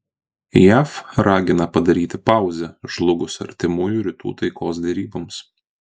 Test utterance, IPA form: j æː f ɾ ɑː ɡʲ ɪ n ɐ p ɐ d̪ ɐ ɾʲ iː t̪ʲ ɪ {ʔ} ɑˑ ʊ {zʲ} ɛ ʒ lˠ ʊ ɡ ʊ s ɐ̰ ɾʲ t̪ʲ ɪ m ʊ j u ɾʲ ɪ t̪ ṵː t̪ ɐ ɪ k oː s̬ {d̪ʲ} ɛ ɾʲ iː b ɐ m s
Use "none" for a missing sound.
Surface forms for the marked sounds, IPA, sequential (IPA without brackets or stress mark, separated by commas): p, zʲ, d̪ʲ